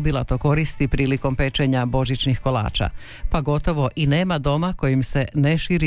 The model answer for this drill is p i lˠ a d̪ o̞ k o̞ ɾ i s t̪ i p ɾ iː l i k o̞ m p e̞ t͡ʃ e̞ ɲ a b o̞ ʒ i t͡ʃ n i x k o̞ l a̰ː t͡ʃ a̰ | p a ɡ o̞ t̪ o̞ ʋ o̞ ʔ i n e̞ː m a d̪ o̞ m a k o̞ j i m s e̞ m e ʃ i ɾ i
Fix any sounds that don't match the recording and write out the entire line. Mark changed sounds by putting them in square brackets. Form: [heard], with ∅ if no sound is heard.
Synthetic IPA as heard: [b] i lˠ a [t̪] o̞ k o̞ ɾ i s t̪ i p ɾ iː l i k o̞ m p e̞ t͡ʃ e̞ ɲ a b o̞ ʒ i t͡ʃ n i x k o̞ l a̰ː t͡ʃ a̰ | p a ɡ o̞ t̪ o̞ ʋ o̞ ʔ i n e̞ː m a d̪ o̞ m a k o̞ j i m s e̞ [n] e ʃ i ɾ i